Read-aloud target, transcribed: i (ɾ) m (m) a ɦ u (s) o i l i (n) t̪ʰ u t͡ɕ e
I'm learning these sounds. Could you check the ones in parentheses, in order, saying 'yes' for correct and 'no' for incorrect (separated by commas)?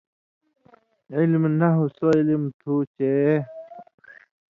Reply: no, no, yes, no